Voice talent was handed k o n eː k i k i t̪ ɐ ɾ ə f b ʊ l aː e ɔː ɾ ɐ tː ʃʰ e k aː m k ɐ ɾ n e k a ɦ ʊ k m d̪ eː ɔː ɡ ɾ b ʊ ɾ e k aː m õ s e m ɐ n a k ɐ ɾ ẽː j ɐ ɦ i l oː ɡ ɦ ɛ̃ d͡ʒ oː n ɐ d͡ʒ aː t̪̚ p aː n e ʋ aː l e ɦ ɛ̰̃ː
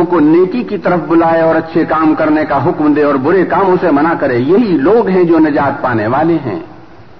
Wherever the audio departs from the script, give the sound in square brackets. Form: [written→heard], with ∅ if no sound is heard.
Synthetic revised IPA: k o n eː k i k i t̪ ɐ ɾ ə f b ʊ l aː e ɔː ɾ ɐ tː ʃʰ e k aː m k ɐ ɾ n e k a ɦ ʊ k m d̪ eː ɔː [ɡ→∅] ɾ b ʊ ɾ e k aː m õ s e m ɐ n a k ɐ ɾ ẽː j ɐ ɦ i l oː ɡ ɦ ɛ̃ d͡ʒ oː n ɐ d͡ʒ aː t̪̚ p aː n e ʋ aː l e ɦ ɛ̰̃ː